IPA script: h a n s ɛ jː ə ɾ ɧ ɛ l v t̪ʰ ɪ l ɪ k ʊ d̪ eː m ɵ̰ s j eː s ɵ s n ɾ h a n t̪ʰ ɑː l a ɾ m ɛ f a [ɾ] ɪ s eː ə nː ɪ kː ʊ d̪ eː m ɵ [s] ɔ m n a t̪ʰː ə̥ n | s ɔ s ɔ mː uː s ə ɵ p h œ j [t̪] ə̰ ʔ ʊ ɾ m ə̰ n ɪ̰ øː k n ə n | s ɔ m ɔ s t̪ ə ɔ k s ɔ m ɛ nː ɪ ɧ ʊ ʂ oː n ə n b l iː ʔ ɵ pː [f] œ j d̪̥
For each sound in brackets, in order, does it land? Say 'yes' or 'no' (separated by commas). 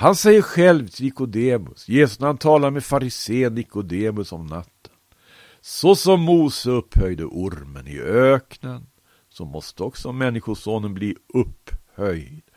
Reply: yes, yes, no, no